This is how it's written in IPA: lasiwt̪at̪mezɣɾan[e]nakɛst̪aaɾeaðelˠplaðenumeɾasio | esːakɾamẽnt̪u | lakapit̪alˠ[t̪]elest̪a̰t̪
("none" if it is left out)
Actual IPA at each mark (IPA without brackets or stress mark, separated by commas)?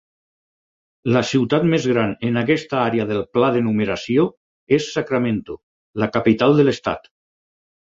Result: e, d̪